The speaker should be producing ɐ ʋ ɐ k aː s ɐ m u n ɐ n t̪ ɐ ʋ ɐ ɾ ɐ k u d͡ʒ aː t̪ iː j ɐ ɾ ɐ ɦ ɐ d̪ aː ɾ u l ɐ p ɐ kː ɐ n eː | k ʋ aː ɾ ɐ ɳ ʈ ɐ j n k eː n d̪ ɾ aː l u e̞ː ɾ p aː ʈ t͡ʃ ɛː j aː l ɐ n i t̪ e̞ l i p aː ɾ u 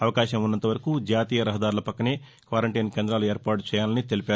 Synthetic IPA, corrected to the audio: ɐ ʋ ɐ k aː ʃ ɐ m u nː ɐ n t̪ ɐ ʋ ɐ ɾ ɐ k u d͡ʒ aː t̪ iː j ɐ ɾ ɐ ɦ ɐ d̪ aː ɾ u l ɐ p ɐ kː ɐ n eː | k ʋ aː ɾ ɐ ɳ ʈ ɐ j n k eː n d̪ ɾ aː l u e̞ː ɾ p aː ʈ t͡ʃ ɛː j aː l ɐ n i t̪ e̞ l i p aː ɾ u